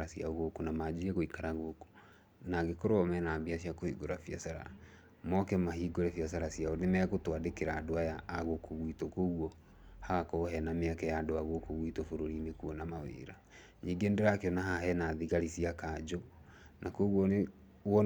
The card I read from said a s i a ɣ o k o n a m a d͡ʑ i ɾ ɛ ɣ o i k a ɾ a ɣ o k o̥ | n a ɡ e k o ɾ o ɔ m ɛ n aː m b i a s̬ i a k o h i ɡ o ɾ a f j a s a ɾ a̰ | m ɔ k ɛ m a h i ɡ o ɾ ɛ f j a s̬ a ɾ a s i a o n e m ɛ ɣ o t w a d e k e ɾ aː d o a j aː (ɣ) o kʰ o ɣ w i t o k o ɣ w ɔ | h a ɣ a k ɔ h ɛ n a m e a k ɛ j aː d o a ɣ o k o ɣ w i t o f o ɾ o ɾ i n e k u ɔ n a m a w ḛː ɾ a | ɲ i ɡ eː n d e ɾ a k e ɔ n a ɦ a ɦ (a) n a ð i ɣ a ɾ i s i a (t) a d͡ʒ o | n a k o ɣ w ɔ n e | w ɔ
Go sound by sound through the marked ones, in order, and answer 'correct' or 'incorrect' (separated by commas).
correct, incorrect, incorrect